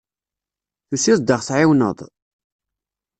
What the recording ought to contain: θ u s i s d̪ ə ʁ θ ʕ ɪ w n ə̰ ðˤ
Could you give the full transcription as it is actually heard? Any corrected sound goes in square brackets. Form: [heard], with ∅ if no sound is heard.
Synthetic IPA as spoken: θ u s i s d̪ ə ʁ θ ʕ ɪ w n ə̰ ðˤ